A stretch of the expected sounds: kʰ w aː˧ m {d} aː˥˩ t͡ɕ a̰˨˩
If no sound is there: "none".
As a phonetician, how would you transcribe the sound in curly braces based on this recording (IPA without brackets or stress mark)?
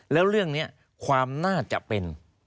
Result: n